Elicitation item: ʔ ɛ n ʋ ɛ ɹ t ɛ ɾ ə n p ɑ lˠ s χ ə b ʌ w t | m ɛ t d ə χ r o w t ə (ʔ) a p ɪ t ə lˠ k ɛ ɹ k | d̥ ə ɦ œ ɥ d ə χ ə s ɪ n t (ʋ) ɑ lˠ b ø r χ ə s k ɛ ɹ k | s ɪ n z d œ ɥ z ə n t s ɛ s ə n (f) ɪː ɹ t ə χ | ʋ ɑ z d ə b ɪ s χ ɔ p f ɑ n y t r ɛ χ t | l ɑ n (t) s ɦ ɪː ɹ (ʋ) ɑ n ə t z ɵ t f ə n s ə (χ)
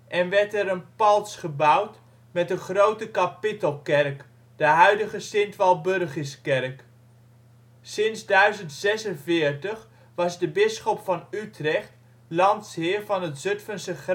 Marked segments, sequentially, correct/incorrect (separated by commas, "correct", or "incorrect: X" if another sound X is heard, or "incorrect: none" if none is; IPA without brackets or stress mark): incorrect: k, correct, incorrect: v, correct, incorrect: v, correct